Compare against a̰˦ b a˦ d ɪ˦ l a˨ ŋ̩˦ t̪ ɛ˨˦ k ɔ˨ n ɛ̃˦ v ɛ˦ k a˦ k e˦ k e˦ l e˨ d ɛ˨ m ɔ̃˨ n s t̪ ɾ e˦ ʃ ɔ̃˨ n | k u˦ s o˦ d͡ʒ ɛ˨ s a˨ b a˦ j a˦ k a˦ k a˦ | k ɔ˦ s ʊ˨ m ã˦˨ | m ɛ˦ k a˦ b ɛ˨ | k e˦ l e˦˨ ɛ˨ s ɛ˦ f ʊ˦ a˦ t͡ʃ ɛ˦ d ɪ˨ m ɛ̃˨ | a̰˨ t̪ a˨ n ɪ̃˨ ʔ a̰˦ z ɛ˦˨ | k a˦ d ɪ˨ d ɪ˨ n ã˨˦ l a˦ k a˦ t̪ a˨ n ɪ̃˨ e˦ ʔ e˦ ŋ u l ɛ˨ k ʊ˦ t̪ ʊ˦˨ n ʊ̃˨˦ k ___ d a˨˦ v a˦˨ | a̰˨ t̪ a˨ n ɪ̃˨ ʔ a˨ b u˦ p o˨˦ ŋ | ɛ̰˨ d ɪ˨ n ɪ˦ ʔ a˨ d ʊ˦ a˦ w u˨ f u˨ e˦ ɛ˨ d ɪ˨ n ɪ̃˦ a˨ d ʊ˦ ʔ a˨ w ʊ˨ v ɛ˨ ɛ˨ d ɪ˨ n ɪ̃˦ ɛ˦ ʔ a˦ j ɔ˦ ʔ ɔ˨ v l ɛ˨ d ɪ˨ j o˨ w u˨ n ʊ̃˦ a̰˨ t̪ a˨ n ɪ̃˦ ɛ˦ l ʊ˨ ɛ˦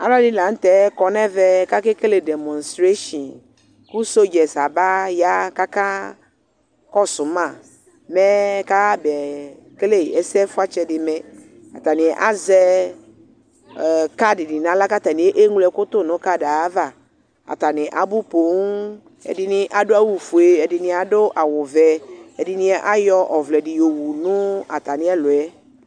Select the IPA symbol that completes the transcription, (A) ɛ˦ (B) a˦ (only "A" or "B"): B